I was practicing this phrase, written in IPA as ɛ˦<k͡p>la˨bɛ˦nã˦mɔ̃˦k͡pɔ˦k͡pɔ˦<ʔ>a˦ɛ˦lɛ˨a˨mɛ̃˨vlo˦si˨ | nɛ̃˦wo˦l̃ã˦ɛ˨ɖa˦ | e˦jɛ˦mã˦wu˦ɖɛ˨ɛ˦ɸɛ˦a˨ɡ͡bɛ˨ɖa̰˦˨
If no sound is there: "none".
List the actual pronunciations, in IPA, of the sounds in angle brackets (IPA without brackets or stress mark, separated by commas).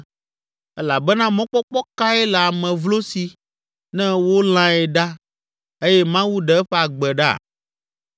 none, k